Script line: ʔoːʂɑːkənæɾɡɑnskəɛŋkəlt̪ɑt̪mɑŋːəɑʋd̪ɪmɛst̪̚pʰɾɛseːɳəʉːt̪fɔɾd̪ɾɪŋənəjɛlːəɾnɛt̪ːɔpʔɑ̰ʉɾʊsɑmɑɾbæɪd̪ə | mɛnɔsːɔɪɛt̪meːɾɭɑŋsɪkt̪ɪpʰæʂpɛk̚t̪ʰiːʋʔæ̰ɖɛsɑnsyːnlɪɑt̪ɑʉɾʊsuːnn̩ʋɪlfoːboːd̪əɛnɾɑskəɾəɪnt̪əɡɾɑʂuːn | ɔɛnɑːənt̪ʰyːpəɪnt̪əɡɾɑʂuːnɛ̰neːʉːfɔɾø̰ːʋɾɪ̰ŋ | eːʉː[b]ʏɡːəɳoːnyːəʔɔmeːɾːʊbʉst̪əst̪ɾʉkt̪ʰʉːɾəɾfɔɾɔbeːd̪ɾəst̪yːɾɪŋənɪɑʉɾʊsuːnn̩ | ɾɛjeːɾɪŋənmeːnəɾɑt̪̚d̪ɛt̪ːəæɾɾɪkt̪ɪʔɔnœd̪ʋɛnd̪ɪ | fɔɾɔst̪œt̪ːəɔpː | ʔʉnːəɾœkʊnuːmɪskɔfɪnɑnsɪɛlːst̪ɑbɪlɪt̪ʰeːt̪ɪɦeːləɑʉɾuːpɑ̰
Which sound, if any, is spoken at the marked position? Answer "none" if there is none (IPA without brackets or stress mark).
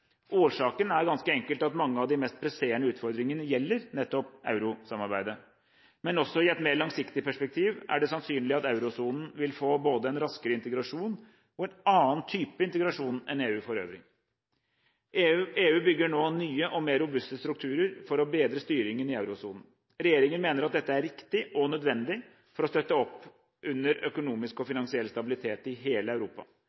b